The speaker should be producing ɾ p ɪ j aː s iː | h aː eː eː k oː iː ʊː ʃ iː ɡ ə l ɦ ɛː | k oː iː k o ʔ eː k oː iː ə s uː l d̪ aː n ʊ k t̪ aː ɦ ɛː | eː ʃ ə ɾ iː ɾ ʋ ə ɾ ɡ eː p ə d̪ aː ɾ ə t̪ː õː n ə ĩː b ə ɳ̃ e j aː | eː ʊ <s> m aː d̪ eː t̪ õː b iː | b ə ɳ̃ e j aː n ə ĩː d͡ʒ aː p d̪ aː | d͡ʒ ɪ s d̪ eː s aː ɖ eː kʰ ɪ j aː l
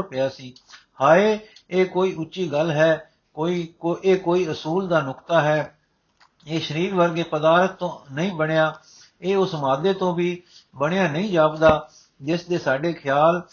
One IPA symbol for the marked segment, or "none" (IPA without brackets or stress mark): s